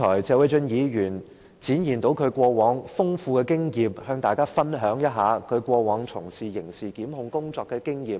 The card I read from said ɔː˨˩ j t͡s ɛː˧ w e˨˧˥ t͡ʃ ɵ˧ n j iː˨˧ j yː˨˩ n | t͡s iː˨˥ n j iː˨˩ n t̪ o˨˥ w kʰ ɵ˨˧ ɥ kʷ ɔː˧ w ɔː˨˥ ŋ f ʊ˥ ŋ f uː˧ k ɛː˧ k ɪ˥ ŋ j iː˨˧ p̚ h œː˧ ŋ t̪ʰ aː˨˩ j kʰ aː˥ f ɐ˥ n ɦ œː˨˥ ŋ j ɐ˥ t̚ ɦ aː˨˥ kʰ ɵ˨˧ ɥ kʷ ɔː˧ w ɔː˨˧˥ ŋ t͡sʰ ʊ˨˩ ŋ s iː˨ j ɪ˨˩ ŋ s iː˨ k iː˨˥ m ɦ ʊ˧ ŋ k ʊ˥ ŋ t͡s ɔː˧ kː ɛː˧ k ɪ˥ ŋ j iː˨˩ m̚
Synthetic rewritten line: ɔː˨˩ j t͡s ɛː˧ w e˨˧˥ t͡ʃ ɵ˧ n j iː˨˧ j yː˨˩ n | t͡s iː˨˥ n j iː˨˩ n t̪ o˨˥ w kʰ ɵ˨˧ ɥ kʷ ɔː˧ w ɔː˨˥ ŋ f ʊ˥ ŋ f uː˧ k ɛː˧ k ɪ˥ ŋ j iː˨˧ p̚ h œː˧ ŋ t̪ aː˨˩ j k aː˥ f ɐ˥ n ɦ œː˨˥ ŋ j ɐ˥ t̚ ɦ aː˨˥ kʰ ɵ˨˧ ɥ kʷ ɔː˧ w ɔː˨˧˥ ŋ t͡sʰ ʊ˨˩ ŋ s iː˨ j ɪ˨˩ ŋ s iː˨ k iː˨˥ m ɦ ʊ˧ ŋ k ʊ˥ ŋ t͡s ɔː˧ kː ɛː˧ k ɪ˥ ŋ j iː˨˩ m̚